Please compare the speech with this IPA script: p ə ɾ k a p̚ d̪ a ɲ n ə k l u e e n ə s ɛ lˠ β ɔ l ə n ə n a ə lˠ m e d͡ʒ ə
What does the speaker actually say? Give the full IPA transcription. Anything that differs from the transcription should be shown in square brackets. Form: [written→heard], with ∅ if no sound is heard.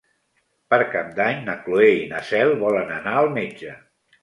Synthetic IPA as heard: p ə ɾ k a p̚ d̪ a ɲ n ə k l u e [e→i] n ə s ɛ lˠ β ɔ l ə n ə n a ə lˠ m e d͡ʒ ə